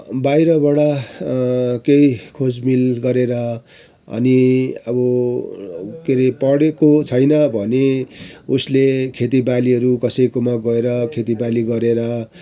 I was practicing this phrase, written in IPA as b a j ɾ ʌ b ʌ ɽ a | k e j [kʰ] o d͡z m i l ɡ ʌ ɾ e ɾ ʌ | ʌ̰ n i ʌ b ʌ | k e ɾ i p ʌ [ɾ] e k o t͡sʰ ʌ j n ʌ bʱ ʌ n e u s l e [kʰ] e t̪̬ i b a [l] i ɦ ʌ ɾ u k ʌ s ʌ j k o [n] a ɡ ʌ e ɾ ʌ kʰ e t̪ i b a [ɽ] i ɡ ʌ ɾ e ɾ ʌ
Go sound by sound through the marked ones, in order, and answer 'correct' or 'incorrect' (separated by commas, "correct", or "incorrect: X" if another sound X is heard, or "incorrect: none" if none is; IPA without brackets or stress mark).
correct, incorrect: ɽ, correct, correct, incorrect: m, incorrect: l